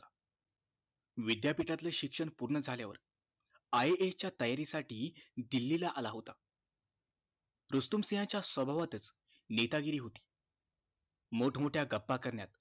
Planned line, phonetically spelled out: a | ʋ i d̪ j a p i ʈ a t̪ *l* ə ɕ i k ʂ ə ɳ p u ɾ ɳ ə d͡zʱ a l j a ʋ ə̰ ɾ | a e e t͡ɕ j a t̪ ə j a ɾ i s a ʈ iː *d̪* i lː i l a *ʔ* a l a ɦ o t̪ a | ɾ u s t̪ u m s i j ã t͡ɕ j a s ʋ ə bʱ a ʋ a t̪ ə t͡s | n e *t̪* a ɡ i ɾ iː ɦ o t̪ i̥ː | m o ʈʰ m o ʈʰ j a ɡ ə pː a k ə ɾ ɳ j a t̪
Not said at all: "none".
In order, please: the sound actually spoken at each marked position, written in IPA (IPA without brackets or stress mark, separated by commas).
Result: l, d̪, ʔ, t̪